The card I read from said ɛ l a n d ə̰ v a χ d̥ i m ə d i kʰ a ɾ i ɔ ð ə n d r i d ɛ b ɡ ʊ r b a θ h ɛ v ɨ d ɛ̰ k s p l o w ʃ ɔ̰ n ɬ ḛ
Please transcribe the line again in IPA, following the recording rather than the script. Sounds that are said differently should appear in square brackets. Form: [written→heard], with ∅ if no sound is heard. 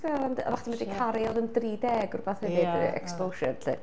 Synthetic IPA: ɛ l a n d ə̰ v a χ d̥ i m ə d i kʰ a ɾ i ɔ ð ə n d r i d ɛ [b→∅] ɡ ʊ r b a θ h ɛ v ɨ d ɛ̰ k s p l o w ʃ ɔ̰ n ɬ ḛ